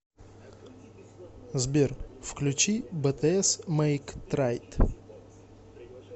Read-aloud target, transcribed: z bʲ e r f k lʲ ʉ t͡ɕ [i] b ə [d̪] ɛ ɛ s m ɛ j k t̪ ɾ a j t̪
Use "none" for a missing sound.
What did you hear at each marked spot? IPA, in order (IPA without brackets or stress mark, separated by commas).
i, t̪